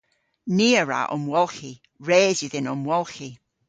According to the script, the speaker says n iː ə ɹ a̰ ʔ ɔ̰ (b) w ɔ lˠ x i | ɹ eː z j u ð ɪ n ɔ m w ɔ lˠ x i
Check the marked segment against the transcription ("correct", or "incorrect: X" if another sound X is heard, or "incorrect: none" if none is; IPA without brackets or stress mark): incorrect: m